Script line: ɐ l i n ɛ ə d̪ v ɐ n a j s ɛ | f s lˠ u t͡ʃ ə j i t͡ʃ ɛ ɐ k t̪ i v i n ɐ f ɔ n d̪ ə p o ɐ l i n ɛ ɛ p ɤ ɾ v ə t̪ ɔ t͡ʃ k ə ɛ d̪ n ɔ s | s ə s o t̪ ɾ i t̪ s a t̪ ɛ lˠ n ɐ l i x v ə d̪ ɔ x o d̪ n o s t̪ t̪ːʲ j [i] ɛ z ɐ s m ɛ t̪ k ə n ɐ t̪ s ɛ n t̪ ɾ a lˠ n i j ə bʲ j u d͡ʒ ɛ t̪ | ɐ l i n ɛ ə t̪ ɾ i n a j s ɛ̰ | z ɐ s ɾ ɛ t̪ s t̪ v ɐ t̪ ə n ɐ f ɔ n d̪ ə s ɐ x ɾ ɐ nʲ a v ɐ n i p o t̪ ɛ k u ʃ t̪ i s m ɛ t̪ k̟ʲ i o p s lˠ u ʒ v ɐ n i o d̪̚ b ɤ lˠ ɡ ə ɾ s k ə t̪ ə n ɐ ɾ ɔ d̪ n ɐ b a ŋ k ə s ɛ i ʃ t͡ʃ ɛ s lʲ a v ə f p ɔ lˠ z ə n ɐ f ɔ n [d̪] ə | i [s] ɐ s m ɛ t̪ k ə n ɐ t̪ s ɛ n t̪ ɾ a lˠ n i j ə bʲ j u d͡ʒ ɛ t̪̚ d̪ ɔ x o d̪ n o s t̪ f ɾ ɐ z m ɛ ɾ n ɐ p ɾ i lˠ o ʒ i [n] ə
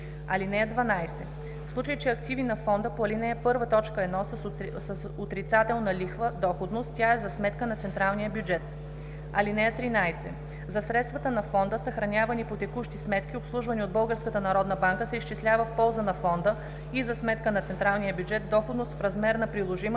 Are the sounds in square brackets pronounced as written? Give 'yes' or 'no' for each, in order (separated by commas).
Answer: no, yes, no, no